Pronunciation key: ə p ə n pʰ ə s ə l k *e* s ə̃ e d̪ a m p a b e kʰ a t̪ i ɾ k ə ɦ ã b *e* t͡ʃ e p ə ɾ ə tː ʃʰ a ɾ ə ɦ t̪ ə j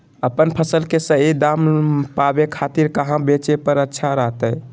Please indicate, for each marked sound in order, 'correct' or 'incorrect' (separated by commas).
correct, correct